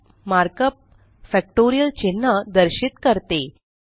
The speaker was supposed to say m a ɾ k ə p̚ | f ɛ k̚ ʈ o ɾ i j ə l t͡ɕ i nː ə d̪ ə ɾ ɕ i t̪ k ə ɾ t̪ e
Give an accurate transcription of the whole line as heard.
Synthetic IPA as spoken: m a ɾ k ə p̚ | f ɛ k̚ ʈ o ɾ i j ə l t͡ɕ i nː ə d̪ ə ɾ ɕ i t̪ k ə ɾ t̪ e